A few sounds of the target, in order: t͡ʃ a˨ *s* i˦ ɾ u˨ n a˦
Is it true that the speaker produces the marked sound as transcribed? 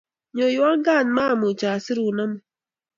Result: yes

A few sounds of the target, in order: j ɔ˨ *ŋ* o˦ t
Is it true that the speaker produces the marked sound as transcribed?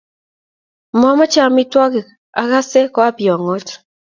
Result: yes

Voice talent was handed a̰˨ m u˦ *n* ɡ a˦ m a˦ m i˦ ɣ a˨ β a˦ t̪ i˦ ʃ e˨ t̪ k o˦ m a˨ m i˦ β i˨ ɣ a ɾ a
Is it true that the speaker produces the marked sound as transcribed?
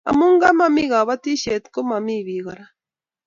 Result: no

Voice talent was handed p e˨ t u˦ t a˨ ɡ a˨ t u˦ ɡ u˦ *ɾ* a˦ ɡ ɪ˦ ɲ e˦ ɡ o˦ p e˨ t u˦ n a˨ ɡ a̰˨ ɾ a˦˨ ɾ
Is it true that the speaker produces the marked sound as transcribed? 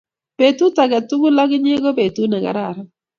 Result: no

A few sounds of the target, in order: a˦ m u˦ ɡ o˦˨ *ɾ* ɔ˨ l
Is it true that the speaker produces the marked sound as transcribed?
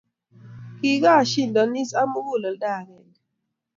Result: no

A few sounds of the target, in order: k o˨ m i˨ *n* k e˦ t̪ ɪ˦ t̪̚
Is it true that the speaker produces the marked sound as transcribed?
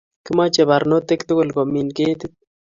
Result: yes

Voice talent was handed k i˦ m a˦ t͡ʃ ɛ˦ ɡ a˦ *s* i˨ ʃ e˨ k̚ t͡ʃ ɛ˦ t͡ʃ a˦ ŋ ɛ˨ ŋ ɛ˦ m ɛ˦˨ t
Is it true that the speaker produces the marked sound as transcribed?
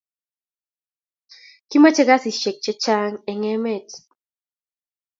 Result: yes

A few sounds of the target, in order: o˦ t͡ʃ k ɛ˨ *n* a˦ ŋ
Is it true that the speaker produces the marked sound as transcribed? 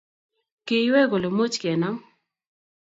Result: yes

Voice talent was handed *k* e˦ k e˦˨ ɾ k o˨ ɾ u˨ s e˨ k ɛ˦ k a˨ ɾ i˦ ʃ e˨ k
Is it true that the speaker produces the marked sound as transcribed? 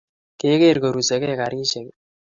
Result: yes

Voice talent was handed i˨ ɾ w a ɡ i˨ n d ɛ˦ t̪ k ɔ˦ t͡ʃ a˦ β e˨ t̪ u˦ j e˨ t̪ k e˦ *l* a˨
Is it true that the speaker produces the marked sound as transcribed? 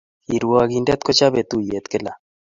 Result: yes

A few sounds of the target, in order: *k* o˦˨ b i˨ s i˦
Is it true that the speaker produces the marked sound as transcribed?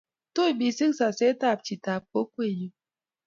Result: no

